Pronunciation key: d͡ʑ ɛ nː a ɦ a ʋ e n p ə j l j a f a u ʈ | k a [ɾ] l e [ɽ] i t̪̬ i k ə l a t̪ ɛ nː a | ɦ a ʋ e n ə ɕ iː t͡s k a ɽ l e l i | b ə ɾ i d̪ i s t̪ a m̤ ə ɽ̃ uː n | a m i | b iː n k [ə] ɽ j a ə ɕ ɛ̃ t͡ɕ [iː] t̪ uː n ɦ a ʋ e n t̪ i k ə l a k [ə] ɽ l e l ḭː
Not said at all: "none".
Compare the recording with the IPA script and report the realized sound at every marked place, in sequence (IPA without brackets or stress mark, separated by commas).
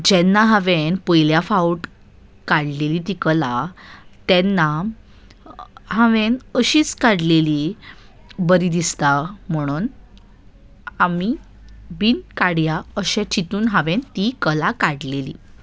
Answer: ɽ, l, a, i, a